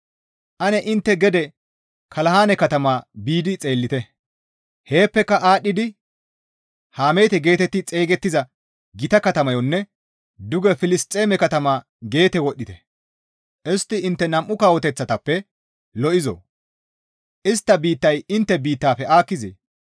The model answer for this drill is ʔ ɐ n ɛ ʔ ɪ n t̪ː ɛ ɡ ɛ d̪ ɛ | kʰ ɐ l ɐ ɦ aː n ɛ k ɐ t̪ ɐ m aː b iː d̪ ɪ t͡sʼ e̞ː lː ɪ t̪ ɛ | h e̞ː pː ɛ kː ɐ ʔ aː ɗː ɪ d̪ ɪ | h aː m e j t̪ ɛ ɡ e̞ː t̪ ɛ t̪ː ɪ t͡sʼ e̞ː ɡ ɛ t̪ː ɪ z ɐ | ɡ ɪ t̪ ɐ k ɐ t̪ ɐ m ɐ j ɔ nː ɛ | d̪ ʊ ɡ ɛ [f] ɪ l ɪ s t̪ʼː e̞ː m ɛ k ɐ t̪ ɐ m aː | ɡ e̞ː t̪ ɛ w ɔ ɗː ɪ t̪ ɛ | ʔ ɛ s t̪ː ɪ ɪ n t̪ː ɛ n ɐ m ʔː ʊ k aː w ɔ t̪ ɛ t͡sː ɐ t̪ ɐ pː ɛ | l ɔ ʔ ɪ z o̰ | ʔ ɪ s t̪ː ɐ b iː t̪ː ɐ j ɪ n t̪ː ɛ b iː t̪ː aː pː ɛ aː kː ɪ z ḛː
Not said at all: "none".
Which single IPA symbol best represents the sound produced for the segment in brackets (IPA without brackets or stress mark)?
f